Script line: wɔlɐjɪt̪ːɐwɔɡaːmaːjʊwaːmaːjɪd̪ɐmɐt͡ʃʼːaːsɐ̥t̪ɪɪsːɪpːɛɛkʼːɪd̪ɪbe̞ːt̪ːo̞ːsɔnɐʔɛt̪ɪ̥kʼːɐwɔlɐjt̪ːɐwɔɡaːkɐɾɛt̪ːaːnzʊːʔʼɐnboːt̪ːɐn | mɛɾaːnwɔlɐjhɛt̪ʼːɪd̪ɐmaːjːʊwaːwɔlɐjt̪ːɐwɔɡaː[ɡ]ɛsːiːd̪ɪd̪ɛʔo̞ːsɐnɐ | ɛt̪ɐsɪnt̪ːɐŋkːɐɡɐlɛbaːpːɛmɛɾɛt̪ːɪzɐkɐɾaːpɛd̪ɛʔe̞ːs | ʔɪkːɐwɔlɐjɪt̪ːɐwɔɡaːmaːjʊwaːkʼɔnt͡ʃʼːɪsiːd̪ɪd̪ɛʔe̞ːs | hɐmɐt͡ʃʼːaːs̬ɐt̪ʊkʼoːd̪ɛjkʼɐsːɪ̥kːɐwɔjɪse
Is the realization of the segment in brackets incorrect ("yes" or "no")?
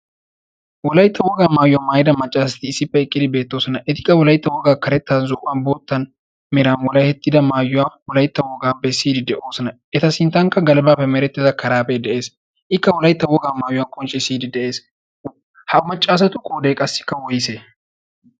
yes